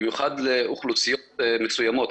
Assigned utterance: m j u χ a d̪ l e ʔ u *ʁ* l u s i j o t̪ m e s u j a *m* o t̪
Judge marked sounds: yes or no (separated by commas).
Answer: no, yes